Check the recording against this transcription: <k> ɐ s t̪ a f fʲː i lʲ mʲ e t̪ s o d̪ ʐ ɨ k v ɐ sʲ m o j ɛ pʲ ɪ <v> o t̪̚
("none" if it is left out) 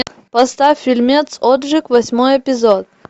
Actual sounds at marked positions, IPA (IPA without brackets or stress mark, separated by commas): p, z